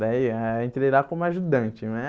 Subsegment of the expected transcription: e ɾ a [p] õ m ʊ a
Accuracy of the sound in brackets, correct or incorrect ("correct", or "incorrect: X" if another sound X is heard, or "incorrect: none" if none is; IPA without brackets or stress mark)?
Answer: incorrect: k